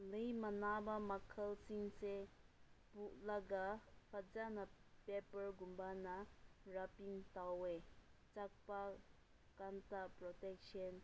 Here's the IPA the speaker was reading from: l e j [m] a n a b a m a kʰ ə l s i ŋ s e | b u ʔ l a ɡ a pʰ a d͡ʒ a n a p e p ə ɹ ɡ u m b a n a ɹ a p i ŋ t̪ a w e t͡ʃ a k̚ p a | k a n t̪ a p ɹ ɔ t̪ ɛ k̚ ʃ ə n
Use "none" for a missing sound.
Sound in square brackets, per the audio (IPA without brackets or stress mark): m